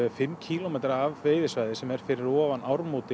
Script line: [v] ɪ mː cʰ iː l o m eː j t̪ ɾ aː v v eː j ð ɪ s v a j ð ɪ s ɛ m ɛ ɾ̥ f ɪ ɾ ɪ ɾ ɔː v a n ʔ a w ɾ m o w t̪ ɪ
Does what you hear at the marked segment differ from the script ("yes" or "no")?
yes